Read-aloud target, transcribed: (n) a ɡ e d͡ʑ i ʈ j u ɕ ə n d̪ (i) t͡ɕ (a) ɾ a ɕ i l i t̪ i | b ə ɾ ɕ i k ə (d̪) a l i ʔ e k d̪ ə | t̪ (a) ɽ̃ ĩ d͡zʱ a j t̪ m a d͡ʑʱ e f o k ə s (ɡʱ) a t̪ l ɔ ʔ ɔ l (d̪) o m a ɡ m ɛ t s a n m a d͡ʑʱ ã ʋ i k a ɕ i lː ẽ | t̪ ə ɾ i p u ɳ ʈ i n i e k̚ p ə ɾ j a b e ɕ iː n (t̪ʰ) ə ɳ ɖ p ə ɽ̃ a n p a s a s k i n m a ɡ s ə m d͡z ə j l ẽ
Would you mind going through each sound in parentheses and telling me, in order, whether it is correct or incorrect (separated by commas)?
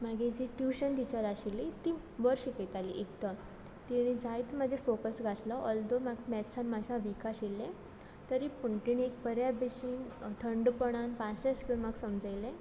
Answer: incorrect, correct, correct, incorrect, incorrect, correct, correct, correct